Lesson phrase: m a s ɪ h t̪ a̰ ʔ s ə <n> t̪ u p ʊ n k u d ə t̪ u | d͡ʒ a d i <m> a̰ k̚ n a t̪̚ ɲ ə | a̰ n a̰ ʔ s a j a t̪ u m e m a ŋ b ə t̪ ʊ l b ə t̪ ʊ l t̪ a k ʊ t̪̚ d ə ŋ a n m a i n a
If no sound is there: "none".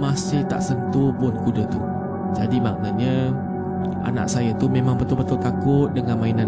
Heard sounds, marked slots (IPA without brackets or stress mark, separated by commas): n, m